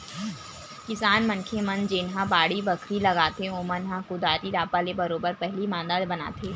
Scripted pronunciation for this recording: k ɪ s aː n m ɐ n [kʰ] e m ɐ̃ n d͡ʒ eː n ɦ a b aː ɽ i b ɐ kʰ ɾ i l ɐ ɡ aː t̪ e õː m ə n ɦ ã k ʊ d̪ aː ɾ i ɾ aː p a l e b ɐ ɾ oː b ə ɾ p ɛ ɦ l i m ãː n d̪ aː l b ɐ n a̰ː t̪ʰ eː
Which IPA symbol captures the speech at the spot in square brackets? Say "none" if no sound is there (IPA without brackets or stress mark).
kʰ